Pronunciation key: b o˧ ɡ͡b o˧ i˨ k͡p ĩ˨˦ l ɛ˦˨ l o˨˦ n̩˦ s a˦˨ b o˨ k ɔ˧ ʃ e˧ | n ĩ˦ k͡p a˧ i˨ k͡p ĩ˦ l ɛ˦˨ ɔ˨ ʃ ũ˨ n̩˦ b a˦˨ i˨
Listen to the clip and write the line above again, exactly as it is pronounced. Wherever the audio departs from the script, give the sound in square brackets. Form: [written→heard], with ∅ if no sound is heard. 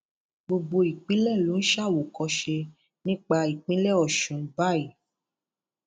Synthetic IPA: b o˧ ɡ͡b o˧ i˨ k͡p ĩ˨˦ l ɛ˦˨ l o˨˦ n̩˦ [s→ʃ] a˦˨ [b→w] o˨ k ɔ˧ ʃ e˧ | n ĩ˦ k͡p a˧ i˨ k͡p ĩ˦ l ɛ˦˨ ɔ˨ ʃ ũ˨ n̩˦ b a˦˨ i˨

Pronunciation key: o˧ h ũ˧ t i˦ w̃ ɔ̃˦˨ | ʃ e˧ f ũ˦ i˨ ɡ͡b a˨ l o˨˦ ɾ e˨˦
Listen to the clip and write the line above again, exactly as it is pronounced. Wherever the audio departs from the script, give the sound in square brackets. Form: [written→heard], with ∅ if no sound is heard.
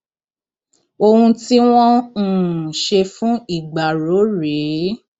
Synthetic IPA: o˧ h ũ˧ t i˦ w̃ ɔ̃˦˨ | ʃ e˧ f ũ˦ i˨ ɡ͡b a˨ [l→ɾ] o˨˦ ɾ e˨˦

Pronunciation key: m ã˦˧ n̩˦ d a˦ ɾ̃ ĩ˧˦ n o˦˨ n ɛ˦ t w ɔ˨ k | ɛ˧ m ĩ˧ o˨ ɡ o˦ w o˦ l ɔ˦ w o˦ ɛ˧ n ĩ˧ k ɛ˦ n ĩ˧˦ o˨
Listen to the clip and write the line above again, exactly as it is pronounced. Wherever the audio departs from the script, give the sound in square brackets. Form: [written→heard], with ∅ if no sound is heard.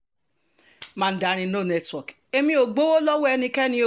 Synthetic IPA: m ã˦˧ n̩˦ d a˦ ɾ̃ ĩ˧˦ n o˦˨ n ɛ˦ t w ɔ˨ k | [ɛ˧→e˧] m ĩ˧ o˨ [ɡ→ɡ͡b] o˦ w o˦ l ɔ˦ w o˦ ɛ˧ n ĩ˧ k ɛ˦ n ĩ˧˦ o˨

